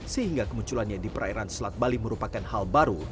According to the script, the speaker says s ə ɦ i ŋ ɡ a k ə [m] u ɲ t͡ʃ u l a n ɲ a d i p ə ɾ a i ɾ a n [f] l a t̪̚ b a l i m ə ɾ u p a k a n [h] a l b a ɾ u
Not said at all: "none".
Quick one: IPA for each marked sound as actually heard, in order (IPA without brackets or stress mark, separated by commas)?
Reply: m, s, h